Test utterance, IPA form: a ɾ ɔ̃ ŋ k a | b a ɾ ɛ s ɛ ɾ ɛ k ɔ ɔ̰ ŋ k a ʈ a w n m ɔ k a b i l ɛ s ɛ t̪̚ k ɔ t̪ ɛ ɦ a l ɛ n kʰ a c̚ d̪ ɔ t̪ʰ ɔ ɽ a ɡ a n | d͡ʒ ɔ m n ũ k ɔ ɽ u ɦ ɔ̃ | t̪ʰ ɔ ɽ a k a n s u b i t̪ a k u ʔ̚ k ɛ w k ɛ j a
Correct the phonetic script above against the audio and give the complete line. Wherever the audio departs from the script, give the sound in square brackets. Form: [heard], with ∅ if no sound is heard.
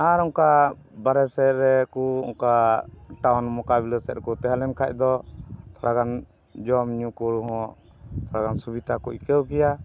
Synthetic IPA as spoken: a ɾ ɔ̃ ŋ k a | b a ɾ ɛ s ɛ ɾ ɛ k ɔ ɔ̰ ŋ k a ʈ a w n m ɔ k a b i l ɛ s ɛ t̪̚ k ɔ t̪ ɛ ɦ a l ɛ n kʰ a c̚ d̪ ɔ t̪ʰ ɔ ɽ a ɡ a n | d͡ʒ ɔ m [ɲ] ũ k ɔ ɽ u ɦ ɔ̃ | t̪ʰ ɔ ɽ a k a n s u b i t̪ a k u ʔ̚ k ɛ w k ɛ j a

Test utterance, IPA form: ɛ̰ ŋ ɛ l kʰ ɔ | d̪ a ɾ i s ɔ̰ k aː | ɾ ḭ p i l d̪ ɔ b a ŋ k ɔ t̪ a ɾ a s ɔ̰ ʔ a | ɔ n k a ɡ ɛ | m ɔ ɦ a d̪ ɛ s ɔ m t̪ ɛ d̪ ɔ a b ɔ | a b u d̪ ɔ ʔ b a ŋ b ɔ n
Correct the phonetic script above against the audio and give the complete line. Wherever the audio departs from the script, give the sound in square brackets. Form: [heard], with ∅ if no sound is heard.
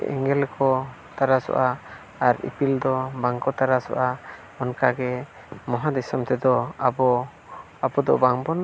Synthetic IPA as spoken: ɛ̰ ŋ ɛ l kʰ ɔ | [t̪] a ɾ [a] s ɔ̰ [ʔ] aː | ɾ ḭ p i l d̪ ɔ b a ŋ k ɔ t̪ a ɾ a s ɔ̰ ʔ a | ɔ n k a ɡ ɛ | m ɔ ɦ a d̪ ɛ s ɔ m t̪ ɛ d̪ ɔ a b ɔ | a b [ɔ] d̪ ɔ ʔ b a ŋ b ɔ n

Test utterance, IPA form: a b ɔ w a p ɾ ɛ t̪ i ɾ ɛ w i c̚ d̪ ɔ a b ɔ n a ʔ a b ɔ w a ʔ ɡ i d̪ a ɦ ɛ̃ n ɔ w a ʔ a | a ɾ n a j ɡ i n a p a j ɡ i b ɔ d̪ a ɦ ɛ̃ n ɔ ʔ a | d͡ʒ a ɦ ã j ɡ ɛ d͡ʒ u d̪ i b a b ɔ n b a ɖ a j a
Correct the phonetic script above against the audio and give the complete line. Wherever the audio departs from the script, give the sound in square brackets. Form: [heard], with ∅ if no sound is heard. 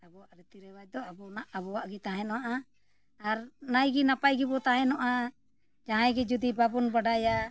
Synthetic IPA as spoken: a b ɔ w a [ʔ] ɾ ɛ t̪ i ɾ ɛ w [a] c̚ d̪ ɔ a b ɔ n a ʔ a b ɔ w a ʔ ɡ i [t̪] a ɦ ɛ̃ n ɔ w a ʔ a | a ɾ n a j ɡ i n a p a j ɡ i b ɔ [t̪] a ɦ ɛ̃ n ɔ ʔ a | d͡ʒ a ɦ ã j ɡ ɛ d͡ʒ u d̪ i b a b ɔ n b a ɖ a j a

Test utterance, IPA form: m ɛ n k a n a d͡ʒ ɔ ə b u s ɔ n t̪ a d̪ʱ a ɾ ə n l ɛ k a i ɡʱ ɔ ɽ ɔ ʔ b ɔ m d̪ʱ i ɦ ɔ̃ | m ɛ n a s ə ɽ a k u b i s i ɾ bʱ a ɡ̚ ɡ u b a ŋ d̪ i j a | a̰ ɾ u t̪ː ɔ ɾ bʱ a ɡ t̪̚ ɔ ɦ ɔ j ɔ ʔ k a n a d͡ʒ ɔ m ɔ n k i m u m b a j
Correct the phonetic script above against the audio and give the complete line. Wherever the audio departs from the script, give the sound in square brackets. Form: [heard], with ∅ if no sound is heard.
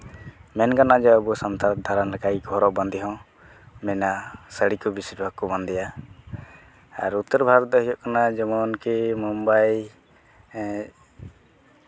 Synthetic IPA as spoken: m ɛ n k a n a d͡ʒ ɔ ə b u s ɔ n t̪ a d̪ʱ a ɾ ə n l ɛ k a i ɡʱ ɔ [ɾ] ɔ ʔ b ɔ [n] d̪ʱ i ɦ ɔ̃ | m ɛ n a s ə ɽ [i] k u b i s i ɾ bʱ a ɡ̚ [k] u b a [n] d̪ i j a | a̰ ɾ u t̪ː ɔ ɾ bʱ a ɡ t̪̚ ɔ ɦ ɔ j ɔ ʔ k a n a d͡ʒ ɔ m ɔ n k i m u m b a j

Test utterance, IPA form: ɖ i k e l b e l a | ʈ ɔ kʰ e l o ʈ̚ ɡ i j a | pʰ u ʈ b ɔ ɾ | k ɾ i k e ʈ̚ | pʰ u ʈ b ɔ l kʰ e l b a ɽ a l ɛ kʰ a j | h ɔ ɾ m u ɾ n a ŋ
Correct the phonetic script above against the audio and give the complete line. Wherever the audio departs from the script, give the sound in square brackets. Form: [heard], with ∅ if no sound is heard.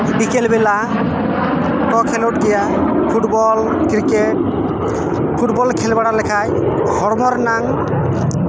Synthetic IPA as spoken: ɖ i k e l b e l a | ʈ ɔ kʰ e l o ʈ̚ ɡ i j a | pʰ u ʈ b ɔ [l] | k ɾ i k e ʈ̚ | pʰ u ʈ b ɔ l kʰ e l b a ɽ a l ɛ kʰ a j | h ɔ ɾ m [ɔ] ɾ n a ŋ

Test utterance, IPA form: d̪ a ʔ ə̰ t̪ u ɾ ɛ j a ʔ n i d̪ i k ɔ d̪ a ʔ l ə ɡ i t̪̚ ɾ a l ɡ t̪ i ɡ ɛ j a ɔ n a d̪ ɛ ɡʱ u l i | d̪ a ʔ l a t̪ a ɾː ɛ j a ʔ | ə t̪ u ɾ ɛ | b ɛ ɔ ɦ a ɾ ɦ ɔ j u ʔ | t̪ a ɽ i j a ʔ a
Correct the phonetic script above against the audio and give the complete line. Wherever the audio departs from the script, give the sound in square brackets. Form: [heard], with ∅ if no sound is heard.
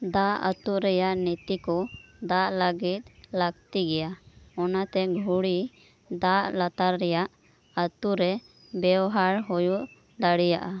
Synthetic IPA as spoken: d̪ a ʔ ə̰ t̪ u ɾ ɛ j a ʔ n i [t̪] i k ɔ d̪ a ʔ l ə ɡ i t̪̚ [l] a [∅] ɡ t̪ i ɡ ɛ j a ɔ n a [t̪] ɛ ɡʱ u [ɽ] i | d̪ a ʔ l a t̪ a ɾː ɛ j a ʔ | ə t̪ u ɾ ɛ | b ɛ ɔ ɦ a ɾ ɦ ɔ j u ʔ | [d̪] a ɽ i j a ʔ a

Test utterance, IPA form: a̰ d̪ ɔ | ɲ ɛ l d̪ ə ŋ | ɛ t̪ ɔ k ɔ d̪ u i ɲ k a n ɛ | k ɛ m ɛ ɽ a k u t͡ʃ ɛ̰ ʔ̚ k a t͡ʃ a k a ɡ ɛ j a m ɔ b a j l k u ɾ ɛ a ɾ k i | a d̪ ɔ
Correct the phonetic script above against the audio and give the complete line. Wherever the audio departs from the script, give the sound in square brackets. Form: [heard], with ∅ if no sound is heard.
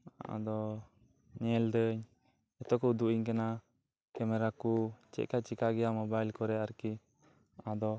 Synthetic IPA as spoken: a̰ d̪ ɔ | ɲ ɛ l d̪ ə [ɲ] | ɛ t̪ ɔ k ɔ d̪ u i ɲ k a n [a] | k ɛ m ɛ [ɾ] a k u t͡ʃ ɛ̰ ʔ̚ k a t͡ʃ [i] k a ɡ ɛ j a m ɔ b a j l k [ɔ] ɾ ɛ a ɾ k i | a d̪ ɔ

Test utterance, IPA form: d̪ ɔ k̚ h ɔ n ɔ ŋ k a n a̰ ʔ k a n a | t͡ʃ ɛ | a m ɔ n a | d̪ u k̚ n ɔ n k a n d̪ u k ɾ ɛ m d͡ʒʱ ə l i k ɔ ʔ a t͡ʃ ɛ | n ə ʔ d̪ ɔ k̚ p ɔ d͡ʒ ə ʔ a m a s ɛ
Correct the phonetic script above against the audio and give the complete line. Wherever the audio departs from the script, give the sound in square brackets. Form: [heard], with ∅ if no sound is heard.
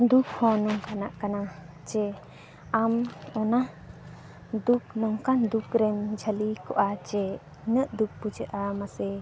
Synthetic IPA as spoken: d̪ [u] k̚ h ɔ n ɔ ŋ k a n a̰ ʔ k a n a | t͡ʃ ɛ | a m ɔ n a | d̪ u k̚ n ɔ [ŋ] k a n d̪ u k ɾ ɛ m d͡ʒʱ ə l i k ɔ ʔ a t͡ʃ ɛ | n ə ʔ d̪ [u] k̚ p [u] d͡ʒ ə ʔ a m a s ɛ

